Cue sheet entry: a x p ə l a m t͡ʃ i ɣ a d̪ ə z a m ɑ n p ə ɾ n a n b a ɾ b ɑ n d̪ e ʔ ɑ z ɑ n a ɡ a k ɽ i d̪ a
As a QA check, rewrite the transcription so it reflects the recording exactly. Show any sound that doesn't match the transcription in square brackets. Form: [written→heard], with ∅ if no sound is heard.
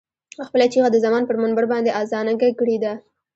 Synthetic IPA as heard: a x p ə l a [m→∅] t͡ʃ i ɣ a d̪ ə z a m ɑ n p ə ɾ [n→m] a n b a ɾ b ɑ n d̪ e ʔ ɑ z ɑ n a ɡ a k ɽ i d̪ a